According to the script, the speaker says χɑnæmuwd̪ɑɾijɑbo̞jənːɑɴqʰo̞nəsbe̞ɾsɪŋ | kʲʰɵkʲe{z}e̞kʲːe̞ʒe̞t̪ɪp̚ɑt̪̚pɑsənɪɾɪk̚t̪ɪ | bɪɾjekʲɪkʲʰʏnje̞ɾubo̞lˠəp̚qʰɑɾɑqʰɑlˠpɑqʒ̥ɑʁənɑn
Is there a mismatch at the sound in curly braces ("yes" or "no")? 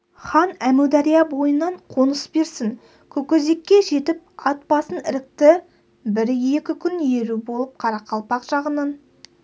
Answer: no